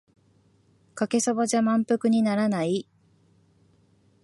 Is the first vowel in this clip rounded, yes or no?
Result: no